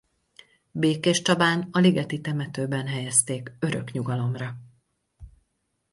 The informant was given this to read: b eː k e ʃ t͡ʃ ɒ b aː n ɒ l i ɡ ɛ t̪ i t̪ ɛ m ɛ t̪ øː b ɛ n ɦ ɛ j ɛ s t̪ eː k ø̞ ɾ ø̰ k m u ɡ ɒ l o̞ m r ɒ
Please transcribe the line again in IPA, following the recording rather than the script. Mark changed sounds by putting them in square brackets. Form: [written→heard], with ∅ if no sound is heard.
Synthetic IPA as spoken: b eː k e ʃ t͡ʃ ɒ b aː n ɒ l i ɡ ɛ t̪ i t̪ ɛ m ɛ t̪ øː b ɛ n ɦ ɛ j ɛ s t̪ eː k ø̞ ɾ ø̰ k [m→ɲ] u ɡ ɒ l o̞ m r ɒ